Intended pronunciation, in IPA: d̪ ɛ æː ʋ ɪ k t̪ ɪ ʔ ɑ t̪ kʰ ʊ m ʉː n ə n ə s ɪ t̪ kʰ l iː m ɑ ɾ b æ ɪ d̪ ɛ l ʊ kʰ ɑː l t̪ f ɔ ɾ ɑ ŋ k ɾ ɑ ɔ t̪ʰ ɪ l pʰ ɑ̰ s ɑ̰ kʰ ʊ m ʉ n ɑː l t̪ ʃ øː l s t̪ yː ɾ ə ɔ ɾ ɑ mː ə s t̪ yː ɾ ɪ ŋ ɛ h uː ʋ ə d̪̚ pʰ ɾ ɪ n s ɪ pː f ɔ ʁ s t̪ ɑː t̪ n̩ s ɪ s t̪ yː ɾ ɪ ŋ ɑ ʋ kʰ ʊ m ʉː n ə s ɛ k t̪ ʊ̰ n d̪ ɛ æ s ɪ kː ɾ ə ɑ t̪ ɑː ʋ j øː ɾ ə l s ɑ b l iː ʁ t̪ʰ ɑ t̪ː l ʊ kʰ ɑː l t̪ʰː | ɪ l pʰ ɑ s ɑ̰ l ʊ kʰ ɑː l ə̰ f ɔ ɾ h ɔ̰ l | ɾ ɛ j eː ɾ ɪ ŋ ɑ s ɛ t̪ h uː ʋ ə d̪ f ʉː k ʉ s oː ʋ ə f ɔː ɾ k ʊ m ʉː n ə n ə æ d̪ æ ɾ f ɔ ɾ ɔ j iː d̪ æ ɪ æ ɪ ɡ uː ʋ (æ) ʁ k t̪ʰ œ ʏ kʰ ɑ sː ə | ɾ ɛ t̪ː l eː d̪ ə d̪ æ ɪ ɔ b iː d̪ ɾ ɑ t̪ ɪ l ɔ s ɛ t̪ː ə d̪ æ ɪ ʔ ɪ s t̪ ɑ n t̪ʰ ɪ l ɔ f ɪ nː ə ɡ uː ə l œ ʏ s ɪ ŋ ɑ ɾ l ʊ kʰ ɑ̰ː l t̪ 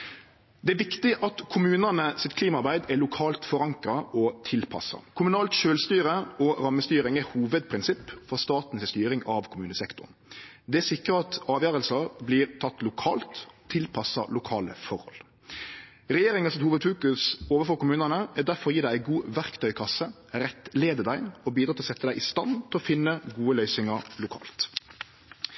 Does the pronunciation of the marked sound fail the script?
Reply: no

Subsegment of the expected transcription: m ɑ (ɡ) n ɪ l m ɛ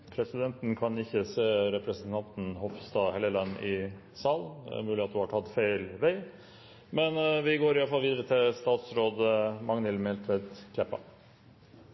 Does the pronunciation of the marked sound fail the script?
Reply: yes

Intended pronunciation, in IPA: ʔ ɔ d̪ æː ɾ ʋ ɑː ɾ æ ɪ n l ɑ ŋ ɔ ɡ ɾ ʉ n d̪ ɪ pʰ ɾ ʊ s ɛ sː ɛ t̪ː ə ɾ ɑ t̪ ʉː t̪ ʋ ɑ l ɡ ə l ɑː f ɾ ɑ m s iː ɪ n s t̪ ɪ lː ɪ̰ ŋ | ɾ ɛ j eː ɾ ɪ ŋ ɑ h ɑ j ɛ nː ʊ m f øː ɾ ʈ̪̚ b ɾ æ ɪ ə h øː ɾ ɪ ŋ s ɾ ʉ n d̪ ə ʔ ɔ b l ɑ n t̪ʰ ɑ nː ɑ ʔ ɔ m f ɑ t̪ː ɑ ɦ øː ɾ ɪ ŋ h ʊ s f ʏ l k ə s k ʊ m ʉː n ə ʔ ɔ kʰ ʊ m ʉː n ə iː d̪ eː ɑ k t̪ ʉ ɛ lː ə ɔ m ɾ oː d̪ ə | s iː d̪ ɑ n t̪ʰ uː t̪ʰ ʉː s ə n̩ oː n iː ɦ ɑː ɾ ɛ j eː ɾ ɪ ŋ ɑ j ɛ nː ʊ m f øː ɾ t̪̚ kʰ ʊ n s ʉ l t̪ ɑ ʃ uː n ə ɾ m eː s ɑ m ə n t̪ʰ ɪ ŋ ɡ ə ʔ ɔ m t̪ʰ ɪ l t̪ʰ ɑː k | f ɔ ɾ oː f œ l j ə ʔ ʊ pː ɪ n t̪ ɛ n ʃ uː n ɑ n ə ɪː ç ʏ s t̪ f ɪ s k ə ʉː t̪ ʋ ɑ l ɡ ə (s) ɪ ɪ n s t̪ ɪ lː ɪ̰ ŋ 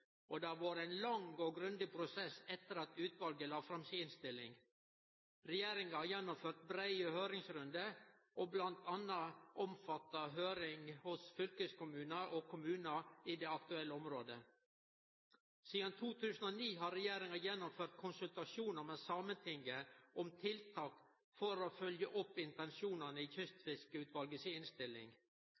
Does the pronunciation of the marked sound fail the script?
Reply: no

